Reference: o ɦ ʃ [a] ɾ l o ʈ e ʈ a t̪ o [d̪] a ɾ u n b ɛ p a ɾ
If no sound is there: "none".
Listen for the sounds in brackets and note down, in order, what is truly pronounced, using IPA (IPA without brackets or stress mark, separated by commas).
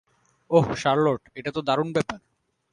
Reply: a, d̪